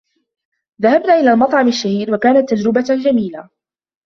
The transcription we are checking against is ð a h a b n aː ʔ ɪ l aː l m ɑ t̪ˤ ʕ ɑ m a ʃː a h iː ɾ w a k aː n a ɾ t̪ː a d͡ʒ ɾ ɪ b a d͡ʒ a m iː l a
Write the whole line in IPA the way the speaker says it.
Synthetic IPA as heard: ð a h a b n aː ʔ ɪ l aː l m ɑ t̪ˤ ʕ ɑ m a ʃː a h iː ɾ w a k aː n a t̪ː a d͡ʒ ɾ ɪ b a d͡ʒ a m iː l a